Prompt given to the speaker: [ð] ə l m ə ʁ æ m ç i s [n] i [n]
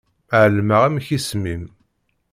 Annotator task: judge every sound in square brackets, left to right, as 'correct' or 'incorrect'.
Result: incorrect: ʕ, incorrect: m, incorrect: m

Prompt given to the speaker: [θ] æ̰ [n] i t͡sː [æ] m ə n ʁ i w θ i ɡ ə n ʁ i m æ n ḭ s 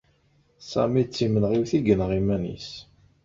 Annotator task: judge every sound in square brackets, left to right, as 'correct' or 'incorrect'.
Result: incorrect: s, incorrect: m, incorrect: i

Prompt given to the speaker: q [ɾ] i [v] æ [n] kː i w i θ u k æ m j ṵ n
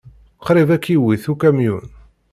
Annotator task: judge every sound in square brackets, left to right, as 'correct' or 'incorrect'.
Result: correct, correct, incorrect: none

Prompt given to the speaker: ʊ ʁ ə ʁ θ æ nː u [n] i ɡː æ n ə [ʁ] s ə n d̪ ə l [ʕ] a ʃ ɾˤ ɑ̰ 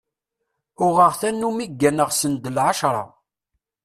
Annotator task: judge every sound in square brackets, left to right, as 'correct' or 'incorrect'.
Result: incorrect: m, correct, correct

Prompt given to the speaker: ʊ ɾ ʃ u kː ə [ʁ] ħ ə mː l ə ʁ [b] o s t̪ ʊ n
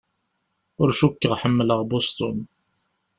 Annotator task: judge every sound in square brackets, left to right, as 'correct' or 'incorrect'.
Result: correct, correct

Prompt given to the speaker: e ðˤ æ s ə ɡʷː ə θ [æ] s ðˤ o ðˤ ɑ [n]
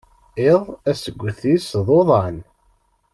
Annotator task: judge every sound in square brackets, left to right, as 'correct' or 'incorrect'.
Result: incorrect: i, correct

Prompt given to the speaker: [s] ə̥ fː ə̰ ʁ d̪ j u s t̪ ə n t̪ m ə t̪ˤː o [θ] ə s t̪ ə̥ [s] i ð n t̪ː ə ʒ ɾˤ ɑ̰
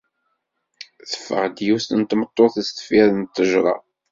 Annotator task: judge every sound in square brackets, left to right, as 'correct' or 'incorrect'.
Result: incorrect: θ, correct, incorrect: f

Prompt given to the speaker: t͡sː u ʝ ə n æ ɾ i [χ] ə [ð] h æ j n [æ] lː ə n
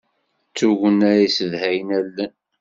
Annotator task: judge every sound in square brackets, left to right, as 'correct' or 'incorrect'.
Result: incorrect: s, correct, correct

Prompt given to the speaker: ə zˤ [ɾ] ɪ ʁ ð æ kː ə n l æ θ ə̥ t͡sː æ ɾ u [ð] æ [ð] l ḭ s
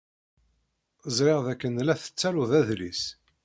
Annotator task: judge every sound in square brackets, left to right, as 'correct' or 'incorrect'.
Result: correct, correct, correct

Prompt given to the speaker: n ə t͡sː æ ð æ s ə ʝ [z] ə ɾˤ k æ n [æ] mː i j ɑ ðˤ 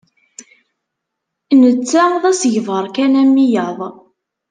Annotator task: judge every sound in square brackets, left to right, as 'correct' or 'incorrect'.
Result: incorrect: v, correct

